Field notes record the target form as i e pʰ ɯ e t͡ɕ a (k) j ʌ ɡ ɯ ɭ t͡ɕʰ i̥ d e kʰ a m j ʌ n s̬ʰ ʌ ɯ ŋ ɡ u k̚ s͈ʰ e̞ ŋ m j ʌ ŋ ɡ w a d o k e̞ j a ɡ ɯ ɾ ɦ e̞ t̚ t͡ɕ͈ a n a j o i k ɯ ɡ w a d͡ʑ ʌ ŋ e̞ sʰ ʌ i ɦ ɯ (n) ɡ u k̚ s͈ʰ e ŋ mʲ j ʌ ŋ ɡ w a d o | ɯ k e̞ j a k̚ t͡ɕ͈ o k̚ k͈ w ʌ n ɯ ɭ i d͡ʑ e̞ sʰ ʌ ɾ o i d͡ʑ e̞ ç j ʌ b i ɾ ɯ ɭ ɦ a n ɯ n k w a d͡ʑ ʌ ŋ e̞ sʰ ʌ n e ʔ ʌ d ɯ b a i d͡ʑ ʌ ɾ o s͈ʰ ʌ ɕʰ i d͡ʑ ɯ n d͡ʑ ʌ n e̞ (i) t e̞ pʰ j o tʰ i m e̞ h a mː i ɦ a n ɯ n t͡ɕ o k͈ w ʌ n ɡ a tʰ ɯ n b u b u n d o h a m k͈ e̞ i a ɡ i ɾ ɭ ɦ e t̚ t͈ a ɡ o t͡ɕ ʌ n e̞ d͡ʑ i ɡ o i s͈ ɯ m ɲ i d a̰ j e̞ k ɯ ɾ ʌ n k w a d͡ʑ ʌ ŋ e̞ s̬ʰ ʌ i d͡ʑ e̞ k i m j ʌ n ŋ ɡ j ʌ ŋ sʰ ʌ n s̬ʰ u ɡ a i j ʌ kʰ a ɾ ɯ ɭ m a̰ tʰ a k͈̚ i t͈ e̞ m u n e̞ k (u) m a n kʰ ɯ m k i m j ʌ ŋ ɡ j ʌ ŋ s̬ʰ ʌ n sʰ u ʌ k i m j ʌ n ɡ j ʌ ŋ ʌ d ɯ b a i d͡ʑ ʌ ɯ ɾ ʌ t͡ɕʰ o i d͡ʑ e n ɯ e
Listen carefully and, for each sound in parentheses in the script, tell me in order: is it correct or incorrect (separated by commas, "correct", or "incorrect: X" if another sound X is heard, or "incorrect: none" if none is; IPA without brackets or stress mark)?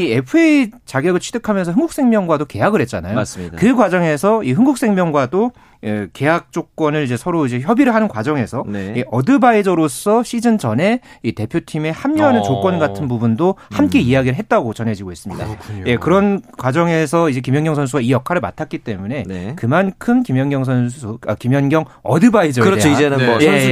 incorrect: ɡ, incorrect: ŋ, correct, incorrect: ɯ